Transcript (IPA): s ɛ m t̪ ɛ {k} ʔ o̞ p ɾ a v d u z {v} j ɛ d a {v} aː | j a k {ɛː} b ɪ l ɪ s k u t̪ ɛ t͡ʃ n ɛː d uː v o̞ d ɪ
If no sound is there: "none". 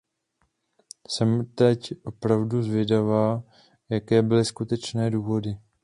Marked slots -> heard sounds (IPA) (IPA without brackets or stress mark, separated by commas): c, v, v, ɛː